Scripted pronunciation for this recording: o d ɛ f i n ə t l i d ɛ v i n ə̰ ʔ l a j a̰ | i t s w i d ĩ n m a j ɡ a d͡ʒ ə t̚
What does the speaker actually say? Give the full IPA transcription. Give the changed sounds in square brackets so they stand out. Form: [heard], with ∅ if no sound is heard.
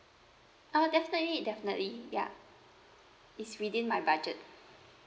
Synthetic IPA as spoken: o d ɛ f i n ə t l i d ɛ [f] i n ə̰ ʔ l [i] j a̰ | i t s w i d ĩ n m a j [b] a d͡ʒ ə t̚